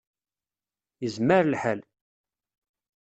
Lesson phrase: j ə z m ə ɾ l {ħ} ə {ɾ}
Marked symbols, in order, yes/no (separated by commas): yes, no